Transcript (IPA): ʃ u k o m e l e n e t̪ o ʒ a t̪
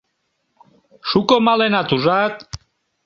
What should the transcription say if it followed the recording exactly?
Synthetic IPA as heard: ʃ u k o m a l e n a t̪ u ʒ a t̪

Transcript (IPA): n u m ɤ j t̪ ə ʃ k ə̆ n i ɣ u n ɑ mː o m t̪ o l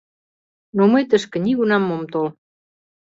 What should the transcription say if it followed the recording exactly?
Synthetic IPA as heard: n o m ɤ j t̪ ə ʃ k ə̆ n i ɣ u n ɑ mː o m t̪ o l

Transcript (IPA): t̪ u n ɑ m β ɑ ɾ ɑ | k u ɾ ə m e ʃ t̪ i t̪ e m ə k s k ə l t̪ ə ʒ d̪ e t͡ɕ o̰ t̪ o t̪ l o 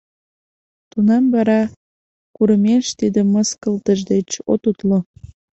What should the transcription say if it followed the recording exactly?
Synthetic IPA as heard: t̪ u n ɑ m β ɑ ɾ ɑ | k u ɾ ə m e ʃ t̪ i d̪ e m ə s k ə l t̪ ə ʒ d̪ e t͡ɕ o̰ t̪ u t̪ l o

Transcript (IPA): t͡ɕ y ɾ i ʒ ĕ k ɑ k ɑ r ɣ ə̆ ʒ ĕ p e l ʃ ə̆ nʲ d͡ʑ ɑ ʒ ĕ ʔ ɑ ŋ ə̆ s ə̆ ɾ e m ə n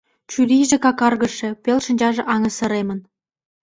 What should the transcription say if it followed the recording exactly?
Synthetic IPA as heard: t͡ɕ y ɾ i ʒ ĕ k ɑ k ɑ r ɣ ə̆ ʃ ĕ p e l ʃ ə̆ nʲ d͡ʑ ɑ ʒ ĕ ʔ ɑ ŋ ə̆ s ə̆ ɾ e m ə n

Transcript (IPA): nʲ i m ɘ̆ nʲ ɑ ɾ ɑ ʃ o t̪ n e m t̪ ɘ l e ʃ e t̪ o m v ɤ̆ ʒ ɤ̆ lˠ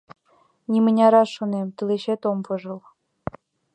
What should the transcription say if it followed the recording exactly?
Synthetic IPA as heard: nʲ i m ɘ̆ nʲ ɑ ɾ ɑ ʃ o n e m t̪ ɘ l e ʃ e t̪ o m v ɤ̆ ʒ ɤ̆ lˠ

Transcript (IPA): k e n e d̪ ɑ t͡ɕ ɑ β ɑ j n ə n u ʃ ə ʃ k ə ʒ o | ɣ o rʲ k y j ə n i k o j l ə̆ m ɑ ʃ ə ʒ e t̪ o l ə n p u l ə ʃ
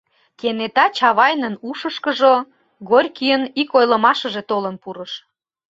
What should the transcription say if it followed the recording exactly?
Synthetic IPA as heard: k e n e t̪ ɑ t͡ɕ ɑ β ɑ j n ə n u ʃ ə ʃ k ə ʒ o | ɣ o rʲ k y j ə n i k o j l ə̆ m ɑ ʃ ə ʒ e t̪ o l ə n p u ɾ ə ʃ

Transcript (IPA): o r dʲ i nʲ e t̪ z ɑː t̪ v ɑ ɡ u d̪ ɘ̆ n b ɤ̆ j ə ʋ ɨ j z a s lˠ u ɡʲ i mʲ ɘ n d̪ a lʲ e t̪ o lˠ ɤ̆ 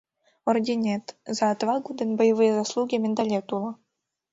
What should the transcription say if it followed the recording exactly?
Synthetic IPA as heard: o r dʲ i nʲ e t̪ z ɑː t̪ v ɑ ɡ u d̪ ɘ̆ n b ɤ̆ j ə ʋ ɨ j z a s lˠ u ɡʲ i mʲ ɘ n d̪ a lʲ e t̪ u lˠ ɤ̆

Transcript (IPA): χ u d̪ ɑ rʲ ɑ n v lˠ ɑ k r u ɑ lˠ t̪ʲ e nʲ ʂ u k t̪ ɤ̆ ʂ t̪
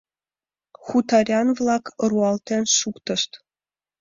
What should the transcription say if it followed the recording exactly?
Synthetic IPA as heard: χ u t̪ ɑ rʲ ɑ n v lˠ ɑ k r u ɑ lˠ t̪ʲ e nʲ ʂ u k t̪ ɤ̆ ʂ t̪

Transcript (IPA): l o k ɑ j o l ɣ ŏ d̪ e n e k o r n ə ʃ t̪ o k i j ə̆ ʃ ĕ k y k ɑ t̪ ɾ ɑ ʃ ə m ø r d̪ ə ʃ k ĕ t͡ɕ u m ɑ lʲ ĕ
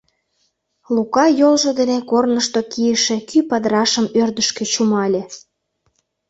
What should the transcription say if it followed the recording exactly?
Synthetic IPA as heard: l u k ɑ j o l ʒ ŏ d̪ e n e k o r n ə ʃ t̪ o k i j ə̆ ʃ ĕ k y p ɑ d̪ ɾ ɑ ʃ ə m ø r d̪ ə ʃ k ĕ t͡ɕ u m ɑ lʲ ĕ

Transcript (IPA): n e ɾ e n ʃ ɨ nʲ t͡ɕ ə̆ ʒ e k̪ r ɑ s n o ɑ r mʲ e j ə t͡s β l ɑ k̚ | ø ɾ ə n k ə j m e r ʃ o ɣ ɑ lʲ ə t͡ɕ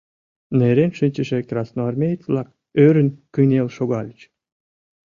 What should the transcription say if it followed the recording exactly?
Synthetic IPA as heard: n e ɾ e n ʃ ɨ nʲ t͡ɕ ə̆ ʃ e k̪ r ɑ s n o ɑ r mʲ e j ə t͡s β l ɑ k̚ | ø ɾ ə n k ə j n e l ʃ o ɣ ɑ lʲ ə t͡ɕ

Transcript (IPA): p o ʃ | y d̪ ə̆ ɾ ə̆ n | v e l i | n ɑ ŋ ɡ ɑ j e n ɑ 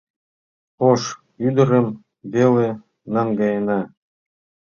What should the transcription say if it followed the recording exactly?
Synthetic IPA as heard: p o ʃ | y d̪ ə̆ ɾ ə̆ m | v e l e | n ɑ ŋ ɡ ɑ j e n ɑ

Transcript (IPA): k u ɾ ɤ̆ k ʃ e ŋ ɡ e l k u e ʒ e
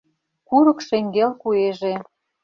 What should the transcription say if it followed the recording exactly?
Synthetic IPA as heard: k u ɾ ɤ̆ k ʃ e ŋ ɡ e l k u e ʒ e

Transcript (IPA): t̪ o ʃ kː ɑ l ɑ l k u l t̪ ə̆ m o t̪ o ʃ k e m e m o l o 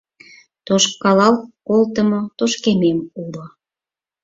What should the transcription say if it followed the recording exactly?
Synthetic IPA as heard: t̪ o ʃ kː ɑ l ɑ l k o l t̪ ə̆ m o t̪ o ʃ k e m e m u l o

